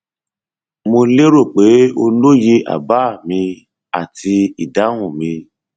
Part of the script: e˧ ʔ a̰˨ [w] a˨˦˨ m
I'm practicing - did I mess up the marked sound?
yes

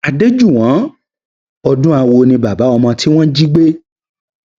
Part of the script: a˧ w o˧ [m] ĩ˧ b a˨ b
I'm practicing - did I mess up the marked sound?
yes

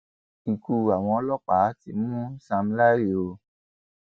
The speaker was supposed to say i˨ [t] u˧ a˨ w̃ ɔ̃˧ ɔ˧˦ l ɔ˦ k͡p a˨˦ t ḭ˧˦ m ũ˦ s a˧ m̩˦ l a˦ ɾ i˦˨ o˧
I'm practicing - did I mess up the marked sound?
yes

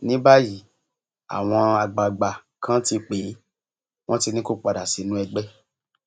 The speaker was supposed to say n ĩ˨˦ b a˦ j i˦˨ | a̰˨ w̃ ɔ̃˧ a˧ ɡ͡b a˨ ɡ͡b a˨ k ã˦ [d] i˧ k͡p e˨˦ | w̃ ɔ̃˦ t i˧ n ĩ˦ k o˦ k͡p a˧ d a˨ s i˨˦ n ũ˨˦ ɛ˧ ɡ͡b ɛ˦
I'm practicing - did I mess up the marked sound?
yes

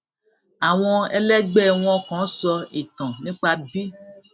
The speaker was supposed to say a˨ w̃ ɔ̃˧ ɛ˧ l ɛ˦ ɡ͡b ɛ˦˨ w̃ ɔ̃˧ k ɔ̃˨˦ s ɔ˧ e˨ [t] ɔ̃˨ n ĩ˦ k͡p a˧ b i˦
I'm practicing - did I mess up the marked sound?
no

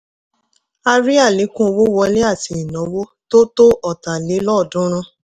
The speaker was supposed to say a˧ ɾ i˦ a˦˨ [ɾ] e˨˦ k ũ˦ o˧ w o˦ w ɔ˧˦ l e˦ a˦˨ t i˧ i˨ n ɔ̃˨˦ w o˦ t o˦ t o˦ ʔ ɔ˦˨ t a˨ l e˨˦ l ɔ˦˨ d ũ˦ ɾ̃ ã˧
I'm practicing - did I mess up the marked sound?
yes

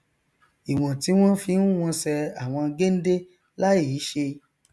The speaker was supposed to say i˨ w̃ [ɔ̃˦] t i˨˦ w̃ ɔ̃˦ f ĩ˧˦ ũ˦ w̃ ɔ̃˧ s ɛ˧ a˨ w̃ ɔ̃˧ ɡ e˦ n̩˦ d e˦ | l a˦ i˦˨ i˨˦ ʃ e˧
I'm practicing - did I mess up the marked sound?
yes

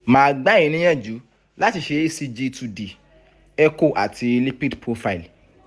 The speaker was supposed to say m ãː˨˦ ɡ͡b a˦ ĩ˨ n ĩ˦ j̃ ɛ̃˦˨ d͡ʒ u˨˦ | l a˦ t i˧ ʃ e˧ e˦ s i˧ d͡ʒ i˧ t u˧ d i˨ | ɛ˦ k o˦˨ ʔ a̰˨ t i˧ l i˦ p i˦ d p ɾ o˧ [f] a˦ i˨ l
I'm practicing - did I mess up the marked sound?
no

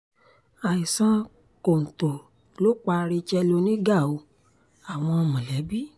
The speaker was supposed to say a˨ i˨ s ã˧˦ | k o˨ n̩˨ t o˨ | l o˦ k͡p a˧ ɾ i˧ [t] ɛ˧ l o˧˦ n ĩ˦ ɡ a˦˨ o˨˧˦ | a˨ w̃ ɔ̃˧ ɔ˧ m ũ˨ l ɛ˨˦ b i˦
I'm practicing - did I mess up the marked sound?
yes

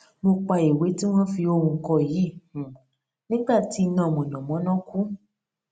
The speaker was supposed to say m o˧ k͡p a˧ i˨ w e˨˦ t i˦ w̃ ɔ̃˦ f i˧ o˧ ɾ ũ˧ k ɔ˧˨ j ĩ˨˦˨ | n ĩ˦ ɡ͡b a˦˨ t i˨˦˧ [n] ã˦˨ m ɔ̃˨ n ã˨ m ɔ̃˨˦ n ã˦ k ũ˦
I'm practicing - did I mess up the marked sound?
no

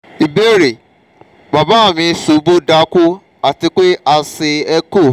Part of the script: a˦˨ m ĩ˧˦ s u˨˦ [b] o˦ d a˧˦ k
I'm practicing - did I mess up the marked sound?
no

